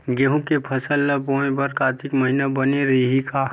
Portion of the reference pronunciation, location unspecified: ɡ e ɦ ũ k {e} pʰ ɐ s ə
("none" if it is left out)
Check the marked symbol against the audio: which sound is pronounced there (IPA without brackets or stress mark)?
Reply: e